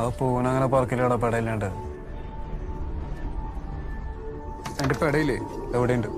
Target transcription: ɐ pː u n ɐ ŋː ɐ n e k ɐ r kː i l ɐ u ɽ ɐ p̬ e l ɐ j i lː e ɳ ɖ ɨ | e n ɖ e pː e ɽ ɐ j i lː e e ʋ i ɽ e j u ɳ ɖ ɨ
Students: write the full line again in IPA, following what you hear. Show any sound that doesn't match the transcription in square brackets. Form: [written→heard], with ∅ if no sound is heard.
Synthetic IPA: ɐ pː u n ɐ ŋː ɐ n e [k→p] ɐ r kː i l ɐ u ɽ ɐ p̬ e [l→ɽ] ɐ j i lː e ɳ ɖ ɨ | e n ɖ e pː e ɽ ɐ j i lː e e ʋ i ɽ e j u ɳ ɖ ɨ